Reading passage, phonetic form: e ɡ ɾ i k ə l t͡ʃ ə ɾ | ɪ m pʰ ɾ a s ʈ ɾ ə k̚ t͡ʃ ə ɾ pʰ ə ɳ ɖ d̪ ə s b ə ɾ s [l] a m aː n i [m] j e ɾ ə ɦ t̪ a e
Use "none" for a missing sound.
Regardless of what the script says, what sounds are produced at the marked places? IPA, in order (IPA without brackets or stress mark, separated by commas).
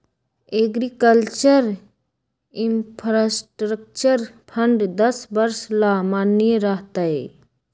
l, none